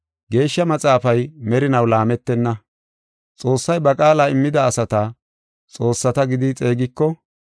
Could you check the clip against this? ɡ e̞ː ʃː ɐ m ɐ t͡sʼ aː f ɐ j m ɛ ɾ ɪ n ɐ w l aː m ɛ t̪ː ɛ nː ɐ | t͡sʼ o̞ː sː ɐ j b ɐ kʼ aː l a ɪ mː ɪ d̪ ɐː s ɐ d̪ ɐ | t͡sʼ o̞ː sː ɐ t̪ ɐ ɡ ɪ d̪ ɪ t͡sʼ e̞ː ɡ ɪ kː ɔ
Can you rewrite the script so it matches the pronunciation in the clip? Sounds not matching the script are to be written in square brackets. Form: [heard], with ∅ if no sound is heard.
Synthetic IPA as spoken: ɡ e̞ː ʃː ɐ m ɐ t͡sʼ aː f ɐ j m ɛ ɾ ɪ n ɐ w l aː m ɛ t̪ː ɛ nː ɐ | t͡sʼ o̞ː sː ɐ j b ɐ kʼ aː l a ɪ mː ɪ d̪ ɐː s ɐ [t̪] ɐ | t͡sʼ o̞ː sː ɐ t̪ ɐ ɡ ɪ d̪ ɪ t͡sʼ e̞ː ɡ ɪ kː ɔ